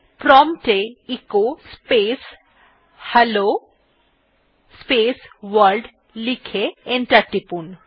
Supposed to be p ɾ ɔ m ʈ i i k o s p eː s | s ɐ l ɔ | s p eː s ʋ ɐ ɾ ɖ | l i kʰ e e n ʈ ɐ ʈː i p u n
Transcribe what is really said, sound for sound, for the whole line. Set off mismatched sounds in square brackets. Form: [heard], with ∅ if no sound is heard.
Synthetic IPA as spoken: p ɾ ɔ m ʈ [e] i k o s p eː s | [h] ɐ l [o] | s p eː s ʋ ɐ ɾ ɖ | l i kʰ e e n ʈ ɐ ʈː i p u n